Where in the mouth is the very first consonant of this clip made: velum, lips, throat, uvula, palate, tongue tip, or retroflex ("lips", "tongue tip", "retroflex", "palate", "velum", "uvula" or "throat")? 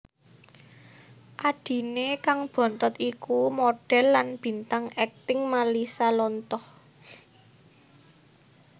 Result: throat